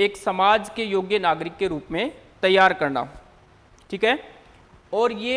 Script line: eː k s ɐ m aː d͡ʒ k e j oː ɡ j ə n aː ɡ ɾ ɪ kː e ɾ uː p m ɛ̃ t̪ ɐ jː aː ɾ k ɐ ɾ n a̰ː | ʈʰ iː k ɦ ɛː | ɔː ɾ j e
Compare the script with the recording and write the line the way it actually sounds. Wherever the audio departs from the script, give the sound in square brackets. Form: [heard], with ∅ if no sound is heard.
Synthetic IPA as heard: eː k s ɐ m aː d͡ʒ k e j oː ɡ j ə n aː ɡ ɾ ɪ kː e ɾ uː p m [ẽ] t̪ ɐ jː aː ɾ k ɐ ɾ n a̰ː | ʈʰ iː k ɦ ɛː | ɔː ɾ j e